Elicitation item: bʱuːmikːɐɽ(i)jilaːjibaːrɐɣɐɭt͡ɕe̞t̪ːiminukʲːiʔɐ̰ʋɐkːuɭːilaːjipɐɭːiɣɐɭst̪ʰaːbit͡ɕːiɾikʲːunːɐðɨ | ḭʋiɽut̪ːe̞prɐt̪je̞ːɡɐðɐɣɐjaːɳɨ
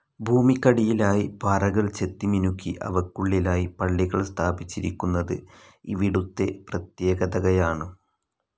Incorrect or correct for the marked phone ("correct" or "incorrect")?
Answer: correct